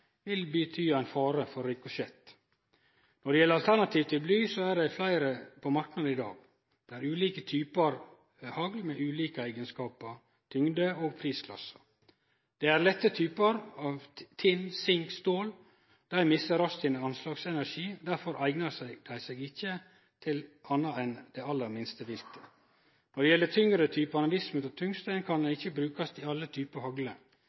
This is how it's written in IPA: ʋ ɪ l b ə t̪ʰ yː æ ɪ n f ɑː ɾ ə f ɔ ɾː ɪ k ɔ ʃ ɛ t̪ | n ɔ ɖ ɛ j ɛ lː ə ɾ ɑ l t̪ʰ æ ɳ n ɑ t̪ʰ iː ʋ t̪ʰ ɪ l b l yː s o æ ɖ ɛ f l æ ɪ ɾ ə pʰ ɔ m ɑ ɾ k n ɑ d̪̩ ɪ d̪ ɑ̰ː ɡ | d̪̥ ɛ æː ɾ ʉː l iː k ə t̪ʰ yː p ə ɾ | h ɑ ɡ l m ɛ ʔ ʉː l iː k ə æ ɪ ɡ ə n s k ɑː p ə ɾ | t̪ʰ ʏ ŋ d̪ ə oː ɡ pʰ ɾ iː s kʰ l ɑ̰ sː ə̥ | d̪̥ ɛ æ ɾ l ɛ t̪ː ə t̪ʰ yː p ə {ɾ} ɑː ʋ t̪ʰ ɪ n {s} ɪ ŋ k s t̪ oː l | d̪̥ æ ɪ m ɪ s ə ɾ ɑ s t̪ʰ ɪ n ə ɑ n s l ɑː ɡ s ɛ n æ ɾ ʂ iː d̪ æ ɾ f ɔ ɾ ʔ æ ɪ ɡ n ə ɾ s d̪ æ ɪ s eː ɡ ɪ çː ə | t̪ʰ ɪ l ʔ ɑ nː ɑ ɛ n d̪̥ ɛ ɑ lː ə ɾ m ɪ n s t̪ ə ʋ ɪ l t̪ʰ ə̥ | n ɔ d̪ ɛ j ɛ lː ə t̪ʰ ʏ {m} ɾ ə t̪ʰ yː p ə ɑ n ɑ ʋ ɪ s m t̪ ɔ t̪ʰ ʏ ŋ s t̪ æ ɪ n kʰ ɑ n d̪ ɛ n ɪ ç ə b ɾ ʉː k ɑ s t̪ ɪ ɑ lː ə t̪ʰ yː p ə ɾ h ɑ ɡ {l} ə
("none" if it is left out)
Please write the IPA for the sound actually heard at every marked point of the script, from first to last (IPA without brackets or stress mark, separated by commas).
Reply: ɾ, s, ŋ, l